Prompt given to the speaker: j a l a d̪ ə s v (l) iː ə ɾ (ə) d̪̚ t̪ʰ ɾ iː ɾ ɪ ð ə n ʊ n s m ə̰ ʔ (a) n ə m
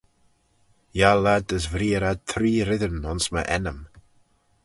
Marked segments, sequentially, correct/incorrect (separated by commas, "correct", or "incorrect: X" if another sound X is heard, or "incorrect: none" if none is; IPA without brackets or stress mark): incorrect: ɾ, incorrect: a, incorrect: ɛ